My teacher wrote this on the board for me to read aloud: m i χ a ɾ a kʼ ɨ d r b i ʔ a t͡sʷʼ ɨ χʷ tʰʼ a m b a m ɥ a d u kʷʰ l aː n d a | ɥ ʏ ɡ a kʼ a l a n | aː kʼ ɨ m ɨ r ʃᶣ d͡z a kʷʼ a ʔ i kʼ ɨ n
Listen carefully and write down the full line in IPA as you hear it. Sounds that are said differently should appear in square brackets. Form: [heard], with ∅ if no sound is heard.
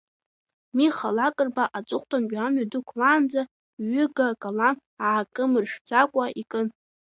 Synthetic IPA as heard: m i χ a [l] a kʼ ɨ [∅] r b [a] ʔ a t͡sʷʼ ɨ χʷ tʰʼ a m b a m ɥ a d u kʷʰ l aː n [d͡z] a | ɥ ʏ ɡ a kʼ a l a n | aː kʼ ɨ m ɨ r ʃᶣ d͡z a kʷʼ a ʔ i kʼ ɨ n

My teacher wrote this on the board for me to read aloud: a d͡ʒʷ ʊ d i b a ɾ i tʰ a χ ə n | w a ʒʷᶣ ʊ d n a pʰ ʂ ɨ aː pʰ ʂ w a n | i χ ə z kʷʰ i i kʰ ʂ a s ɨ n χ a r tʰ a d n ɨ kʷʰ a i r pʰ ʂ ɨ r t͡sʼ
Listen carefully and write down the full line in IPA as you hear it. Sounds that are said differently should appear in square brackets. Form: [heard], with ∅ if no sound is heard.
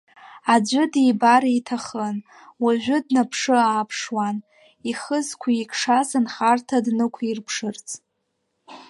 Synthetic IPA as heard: a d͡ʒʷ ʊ d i b a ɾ i tʰ a χ ə n | w a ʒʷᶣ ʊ d n a pʰ ʂ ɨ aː pʰ ʂ w a n | i χ ə z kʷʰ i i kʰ ʂ a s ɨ n χ a r tʰ a d n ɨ kʷʰ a i r pʰ ʂ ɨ r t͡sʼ

